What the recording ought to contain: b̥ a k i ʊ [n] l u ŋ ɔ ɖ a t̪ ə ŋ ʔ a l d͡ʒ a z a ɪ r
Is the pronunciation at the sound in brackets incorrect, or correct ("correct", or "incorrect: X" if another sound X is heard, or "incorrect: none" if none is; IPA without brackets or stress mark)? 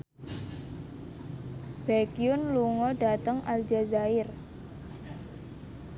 correct